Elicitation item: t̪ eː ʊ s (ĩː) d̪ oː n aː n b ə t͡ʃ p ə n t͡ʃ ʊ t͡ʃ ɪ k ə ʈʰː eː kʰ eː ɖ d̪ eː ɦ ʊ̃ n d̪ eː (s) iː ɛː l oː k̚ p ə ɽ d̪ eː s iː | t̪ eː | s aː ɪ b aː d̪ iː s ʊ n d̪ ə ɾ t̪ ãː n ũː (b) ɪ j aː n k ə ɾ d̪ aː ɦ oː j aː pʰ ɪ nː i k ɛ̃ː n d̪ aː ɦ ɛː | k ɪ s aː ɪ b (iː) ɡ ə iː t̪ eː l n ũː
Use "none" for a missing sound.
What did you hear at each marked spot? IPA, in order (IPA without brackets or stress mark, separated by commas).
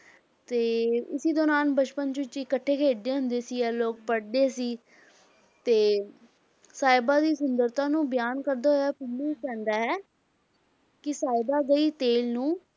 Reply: iː, s, b, aː